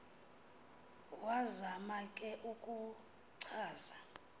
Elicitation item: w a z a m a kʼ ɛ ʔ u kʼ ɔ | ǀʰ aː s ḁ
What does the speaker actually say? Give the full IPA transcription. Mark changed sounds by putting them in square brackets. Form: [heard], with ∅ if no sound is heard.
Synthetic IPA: w a z a m a kʼ ɛ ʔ u kʼ [u] | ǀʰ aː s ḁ